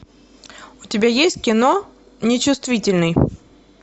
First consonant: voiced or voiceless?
voiceless